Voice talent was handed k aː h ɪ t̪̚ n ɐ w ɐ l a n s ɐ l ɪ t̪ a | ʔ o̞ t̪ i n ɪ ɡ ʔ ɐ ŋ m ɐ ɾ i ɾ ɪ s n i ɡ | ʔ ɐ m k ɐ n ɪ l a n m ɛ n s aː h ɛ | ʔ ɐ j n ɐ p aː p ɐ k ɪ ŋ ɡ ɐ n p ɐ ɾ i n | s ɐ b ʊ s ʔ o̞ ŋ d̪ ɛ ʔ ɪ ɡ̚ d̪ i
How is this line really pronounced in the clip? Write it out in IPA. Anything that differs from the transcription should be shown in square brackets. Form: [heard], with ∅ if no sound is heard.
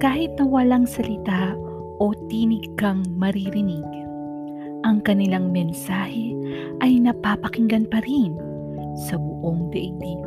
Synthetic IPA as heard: k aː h ɪ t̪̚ n ɐ w ɐ l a [ŋ] s ɐ l ɪ t̪ a | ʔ o̞ t̪ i n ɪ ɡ [k] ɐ ŋ m ɐ ɾ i ɾ ɪ [∅] n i ɡ | ʔ ɐ [ŋ] k ɐ n ɪ l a [ŋ] m ɛ n s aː h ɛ | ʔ ɐ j n ɐ p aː p ɐ k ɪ ŋ ɡ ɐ n p ɐ ɾ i n | s ɐ b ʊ [∅] ʔ o̞ ŋ d̪ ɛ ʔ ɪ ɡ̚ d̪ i